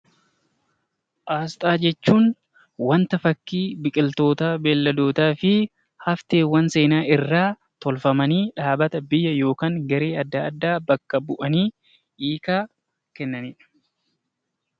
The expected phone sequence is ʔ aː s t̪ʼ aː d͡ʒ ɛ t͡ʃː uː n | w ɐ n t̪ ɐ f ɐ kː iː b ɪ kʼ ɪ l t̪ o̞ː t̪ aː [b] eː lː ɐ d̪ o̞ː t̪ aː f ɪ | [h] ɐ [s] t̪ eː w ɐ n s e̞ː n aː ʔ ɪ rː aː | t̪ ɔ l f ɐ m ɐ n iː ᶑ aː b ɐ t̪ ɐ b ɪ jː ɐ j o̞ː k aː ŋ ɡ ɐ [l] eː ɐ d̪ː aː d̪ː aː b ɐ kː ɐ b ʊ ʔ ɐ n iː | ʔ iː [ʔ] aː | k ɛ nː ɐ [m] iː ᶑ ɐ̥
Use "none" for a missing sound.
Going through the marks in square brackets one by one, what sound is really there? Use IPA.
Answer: b, h, f, ɾ, k, n

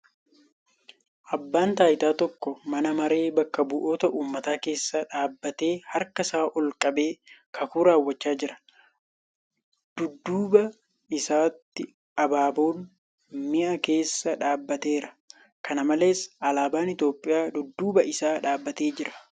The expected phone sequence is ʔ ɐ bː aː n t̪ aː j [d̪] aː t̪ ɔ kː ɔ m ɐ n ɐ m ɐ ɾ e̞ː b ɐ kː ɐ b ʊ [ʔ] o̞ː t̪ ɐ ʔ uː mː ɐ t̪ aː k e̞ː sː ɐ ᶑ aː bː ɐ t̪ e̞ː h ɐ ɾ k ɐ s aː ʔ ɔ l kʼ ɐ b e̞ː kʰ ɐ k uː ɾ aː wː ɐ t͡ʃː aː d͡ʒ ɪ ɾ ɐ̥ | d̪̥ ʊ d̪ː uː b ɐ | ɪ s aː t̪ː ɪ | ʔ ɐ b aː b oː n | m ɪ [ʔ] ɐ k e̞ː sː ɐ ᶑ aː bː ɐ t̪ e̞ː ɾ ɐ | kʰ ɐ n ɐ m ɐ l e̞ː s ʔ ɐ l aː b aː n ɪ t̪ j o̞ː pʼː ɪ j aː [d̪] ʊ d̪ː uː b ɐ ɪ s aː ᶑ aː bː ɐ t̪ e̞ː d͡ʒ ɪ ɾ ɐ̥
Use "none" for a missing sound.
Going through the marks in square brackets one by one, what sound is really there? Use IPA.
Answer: t̪, ʔ, ʔ, d̪

